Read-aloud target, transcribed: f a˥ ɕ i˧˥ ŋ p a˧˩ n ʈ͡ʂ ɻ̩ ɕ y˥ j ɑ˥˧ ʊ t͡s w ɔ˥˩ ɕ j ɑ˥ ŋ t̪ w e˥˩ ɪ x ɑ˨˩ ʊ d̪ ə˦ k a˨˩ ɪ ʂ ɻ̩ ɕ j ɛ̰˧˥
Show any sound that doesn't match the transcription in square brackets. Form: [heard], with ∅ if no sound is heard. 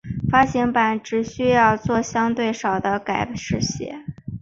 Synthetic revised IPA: f a˥ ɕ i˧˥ ŋ p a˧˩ n ʈ͡ʂ ɻ̩ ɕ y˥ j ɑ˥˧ ʊ t͡s w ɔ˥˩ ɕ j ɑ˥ ŋ t̪ w e˥˩ ɪ [ʂ] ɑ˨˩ ʊ d̪ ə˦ k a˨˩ ɪ ʂ ɻ̩ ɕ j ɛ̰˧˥

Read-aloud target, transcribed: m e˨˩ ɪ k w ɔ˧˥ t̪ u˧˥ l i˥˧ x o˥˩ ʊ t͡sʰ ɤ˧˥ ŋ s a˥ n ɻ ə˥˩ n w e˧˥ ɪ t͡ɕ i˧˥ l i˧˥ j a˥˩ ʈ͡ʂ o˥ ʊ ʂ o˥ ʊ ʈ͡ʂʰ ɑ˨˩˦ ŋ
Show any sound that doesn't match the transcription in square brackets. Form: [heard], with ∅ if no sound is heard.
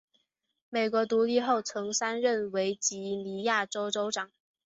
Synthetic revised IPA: m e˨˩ ɪ k w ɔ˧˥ t̪ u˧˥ l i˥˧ x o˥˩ ʊ t͡sʰ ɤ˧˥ ŋ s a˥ n ɻ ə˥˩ n w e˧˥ ɪ t͡ɕ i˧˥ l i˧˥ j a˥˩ ʈ͡ʂ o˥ ʊ [ʈ͡ʂ] o˥ ʊ [ʈ͡ʂ] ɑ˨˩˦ ŋ

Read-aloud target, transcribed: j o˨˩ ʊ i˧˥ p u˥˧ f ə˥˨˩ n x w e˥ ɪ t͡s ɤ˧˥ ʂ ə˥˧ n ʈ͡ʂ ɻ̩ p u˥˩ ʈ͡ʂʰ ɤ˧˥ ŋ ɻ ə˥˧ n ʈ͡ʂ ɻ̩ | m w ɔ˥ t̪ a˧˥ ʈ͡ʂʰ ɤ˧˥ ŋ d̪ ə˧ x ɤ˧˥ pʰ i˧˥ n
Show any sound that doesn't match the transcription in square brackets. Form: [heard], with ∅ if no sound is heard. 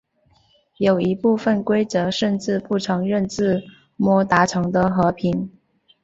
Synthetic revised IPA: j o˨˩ ʊ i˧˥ p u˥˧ f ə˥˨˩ n [k] w e˥ ɪ t͡s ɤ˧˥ ʂ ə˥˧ n ʈ͡ʂ ɻ̩ p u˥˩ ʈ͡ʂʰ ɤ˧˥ ŋ ɻ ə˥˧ n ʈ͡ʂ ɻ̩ | m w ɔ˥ t̪ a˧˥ ʈ͡ʂʰ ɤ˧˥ ŋ d̪ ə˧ x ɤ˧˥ pʰ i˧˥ n

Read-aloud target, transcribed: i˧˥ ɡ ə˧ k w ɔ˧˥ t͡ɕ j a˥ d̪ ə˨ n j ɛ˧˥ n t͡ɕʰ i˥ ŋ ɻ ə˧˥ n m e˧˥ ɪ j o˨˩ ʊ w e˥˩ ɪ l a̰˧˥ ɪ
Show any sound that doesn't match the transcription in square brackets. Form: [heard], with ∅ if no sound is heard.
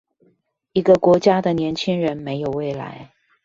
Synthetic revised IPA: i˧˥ ɡ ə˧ k w ɔ˧˥ t͡ɕ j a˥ d̪ ə˨ n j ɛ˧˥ n t͡ɕʰ i˥ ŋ ɻ ə˧˥ n m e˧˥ ɪ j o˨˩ ʊ w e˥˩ ɪ l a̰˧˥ ɪ

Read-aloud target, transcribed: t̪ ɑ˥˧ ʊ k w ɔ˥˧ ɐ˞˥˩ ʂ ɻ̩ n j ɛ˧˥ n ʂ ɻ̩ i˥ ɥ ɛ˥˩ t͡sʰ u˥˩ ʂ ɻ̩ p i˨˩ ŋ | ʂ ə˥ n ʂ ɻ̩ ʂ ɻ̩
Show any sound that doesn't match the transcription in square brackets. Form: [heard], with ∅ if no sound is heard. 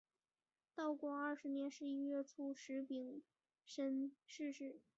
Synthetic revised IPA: t̪ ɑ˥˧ ʊ k w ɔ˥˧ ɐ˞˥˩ ʂ ɻ̩ n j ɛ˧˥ n ʂ ɻ̩ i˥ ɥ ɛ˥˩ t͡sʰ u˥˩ ʂ ɻ̩ p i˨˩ ŋ | ʂ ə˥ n ʂ ɻ̩ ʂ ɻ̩

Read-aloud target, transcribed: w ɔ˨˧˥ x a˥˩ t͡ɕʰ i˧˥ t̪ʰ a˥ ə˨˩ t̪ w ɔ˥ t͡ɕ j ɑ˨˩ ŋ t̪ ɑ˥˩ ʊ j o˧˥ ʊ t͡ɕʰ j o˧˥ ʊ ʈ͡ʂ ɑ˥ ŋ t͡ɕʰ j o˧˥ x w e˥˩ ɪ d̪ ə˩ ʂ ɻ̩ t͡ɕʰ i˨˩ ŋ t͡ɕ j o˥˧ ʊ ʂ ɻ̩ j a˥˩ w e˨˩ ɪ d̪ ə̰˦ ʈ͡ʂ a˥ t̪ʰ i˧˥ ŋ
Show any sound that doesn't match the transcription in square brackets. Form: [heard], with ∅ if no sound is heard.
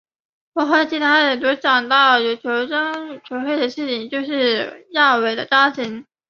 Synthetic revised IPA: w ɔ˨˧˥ x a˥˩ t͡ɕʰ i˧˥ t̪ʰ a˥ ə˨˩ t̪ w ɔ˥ t͡ɕ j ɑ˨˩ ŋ t̪ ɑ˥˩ ʊ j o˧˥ ʊ t͡ɕʰ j o˧˥ ʊ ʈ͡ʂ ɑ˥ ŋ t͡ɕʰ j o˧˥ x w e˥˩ ɪ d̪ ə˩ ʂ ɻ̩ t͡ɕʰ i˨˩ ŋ t͡ɕ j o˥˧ ʊ ʂ ɻ̩ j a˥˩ w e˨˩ ɪ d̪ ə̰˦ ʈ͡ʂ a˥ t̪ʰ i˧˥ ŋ

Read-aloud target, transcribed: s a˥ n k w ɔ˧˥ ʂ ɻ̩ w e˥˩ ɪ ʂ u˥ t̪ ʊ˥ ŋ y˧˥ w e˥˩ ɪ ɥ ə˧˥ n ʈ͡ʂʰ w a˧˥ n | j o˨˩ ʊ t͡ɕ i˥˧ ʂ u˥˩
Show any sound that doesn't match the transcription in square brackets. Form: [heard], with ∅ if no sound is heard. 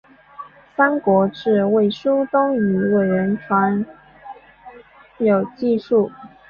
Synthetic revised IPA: s a˥ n k w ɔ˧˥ [ʈ͡ʂ] ɻ̩ w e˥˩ ɪ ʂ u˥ t̪ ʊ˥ ŋ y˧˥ w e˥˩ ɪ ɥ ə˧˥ n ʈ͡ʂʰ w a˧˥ n | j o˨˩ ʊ t͡ɕ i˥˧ ʂ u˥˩

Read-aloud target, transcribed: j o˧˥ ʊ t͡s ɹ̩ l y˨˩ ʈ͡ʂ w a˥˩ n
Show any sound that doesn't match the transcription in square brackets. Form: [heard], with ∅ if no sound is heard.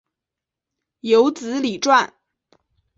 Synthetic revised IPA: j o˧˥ ʊ t͡s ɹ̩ l [i˨˩] ʈ͡ʂ w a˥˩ n

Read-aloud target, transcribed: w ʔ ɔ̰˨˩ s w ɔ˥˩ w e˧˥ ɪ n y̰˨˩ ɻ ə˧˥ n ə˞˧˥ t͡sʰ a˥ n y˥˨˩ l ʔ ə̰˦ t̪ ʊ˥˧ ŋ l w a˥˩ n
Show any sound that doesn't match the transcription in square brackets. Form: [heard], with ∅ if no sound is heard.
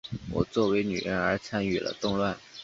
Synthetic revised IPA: w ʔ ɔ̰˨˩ [t͡s] w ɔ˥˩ w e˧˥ ɪ n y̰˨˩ ɻ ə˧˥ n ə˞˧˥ t͡sʰ a˥ n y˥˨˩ l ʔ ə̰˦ t̪ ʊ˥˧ ŋ l w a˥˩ n

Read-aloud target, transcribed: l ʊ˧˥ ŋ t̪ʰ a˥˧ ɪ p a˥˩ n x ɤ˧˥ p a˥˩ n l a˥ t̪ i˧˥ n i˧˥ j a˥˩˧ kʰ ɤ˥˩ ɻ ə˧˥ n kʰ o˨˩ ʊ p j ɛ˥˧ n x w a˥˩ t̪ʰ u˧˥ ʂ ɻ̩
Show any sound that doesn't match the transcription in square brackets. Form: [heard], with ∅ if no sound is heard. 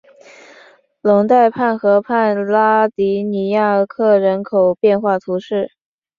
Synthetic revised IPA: l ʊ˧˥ ŋ [t̪] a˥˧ ɪ [pʰ] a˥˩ n x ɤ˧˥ [pʰ] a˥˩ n l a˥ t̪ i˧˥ n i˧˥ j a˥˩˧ kʰ ɤ˥˩ ɻ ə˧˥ n kʰ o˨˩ ʊ p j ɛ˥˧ n x w a˥˩ t̪ʰ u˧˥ ʂ ɻ̩

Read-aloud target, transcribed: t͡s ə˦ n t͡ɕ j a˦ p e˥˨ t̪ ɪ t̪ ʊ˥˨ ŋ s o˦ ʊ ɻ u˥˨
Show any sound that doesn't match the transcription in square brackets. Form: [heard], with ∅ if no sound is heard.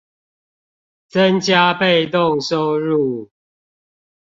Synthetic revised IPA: t͡s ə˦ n t͡ɕ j a˦ p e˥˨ [∅] ɪ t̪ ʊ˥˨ ŋ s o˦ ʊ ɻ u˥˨

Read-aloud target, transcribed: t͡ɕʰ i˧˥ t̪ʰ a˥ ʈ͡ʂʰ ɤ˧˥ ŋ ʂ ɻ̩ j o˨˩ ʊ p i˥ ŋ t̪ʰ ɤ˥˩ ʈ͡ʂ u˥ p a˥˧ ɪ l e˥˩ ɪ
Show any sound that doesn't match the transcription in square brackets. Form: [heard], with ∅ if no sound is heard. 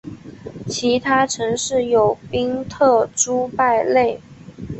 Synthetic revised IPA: t͡ɕʰ i˧˥ t̪ʰ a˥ ʈ͡ʂʰ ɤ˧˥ ŋ ʂ ɻ̩ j o˨˩ ʊ p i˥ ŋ t̪ʰ ɤ˥˩ ʈ͡ʂ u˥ p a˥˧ ɪ l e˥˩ ɪ

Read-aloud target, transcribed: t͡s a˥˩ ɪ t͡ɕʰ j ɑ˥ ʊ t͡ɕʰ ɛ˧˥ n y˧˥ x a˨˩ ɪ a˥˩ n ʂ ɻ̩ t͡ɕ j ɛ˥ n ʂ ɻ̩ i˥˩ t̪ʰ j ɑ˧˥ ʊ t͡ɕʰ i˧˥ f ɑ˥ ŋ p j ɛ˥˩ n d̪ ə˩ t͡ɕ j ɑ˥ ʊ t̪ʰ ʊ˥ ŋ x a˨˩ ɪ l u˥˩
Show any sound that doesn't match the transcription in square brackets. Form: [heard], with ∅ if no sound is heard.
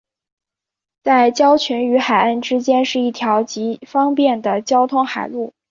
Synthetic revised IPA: t͡s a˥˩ ɪ [t͡ɕ] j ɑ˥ ʊ t͡ɕʰ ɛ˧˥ n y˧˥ x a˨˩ ɪ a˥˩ n [ʈ͡ʂ] ɻ̩ t͡ɕ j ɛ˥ n ʂ ɻ̩ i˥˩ t̪ʰ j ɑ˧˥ ʊ [t͡ɕ] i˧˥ f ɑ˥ ŋ p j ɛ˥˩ n d̪ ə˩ t͡ɕ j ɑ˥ ʊ t̪ʰ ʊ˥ ŋ x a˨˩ ɪ l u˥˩

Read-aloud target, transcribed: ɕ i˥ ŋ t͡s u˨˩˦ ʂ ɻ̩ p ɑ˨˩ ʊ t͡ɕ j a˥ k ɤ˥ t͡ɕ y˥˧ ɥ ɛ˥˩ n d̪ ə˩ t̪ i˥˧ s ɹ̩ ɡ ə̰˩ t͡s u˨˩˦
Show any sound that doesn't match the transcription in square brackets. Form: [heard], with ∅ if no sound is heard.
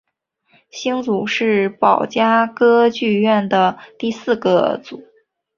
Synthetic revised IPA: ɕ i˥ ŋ t͡s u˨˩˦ ʂ ɻ̩ p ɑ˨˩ ʊ t͡ɕ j a˥ k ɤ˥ t͡ɕ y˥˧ ɥ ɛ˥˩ n d̪ ə˩ t̪ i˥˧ s ɹ̩ ɡ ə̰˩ t͡s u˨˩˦

